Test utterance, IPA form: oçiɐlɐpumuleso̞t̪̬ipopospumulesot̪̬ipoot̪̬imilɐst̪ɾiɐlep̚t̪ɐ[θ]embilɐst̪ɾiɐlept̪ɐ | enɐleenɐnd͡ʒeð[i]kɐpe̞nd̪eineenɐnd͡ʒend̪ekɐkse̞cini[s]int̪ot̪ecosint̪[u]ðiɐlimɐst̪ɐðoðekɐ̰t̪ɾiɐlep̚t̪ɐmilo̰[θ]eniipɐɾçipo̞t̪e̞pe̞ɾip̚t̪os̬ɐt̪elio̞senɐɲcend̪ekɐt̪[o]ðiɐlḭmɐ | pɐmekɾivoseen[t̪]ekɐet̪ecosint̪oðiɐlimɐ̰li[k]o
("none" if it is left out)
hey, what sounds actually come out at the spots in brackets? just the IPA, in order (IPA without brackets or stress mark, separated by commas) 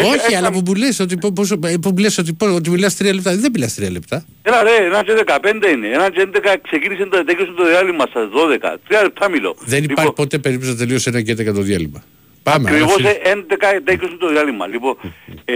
ð, e, s, o, ð, o, d̪, p